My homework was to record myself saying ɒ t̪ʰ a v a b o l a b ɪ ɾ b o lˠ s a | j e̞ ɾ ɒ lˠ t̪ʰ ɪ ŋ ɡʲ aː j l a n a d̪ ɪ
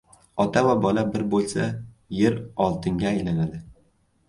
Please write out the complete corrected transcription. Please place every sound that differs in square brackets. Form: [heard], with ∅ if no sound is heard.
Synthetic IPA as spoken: ɒ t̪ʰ a v a b [ɒ] l a b ɪ ɾ b o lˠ s a | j e̞ ɾ ɒ lˠ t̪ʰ ɪ ŋ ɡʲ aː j l a n a d̪ ɪ